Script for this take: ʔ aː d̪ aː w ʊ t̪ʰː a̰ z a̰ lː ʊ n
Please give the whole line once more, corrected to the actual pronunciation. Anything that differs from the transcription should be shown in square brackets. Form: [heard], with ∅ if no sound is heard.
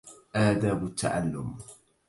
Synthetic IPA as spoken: ʔ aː d̪ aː [b] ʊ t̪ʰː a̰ [ʕ] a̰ lː ʊ [m]